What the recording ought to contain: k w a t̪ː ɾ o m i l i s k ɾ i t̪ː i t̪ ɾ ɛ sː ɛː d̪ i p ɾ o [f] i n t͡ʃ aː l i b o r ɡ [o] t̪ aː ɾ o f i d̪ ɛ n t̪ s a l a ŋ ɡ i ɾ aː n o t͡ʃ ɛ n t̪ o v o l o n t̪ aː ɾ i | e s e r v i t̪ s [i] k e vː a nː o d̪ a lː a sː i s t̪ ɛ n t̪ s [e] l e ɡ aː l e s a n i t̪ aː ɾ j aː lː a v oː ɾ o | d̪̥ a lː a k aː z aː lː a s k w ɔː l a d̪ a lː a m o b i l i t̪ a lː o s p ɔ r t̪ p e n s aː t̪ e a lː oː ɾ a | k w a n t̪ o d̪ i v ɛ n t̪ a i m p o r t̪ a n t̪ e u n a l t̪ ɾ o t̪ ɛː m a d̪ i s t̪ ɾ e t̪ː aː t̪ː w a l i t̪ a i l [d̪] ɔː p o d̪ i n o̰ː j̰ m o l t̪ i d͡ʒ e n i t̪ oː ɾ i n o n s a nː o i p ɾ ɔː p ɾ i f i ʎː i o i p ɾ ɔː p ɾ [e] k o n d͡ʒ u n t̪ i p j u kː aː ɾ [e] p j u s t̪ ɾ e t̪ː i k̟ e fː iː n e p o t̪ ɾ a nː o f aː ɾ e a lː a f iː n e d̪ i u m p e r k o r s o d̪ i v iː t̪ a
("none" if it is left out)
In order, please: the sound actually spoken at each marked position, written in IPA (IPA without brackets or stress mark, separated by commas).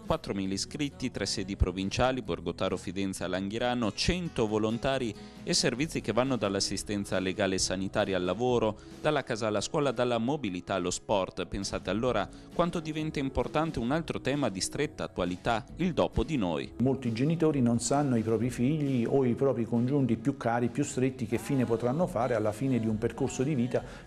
v, o, i, a, d̪, i, i